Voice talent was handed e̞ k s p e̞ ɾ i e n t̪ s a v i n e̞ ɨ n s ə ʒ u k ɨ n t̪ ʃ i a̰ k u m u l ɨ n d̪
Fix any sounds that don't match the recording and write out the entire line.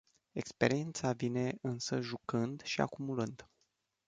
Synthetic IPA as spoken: e̞ k s p e̞ ɾ i e n t̪ s a v i n e̞ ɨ n s ə ʒ u k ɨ n d̪ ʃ i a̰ k u m u l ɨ n d̪